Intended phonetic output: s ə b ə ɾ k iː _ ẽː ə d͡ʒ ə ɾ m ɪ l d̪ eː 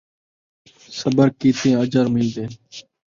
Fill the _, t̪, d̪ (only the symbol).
t̪